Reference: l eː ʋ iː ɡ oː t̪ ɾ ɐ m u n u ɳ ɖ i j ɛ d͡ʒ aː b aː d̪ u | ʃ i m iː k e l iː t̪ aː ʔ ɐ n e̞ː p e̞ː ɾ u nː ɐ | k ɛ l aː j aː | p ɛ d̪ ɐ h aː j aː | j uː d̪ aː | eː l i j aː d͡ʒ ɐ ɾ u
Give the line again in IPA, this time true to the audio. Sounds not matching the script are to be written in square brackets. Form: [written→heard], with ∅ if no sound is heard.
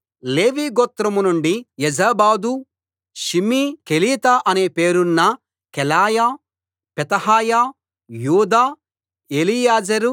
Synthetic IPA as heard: l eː ʋ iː ɡ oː t̪ ɾ ɐ m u n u ɳ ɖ i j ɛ d͡ʒ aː b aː d̪ u | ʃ i m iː k e l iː t̪ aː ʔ ɐ n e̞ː p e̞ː ɾ u nː ɐ | k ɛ l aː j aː | p ɛ [d̪→t̪] ɐ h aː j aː | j uː d̪ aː | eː l i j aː d͡ʒ ɐ ɾ u